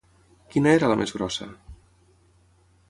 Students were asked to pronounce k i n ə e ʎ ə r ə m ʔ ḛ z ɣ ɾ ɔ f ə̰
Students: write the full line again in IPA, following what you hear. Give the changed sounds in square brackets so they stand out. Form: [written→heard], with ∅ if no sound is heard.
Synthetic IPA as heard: k i n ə e [ʎ→ɾ] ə [r→l] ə m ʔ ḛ z ɣ ɾ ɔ [f→s] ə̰